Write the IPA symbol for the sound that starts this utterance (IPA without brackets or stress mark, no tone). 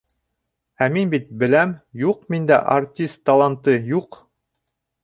æ